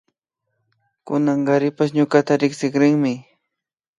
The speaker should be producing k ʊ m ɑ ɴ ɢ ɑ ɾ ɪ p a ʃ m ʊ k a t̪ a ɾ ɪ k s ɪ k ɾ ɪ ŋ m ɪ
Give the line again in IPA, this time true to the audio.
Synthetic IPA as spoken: k ʊ n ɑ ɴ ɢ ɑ ɾ ɪ p a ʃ ɲ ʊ k a t̪ a ɾ ɪ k s ɪ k ɾ ɪ ŋ m ɪ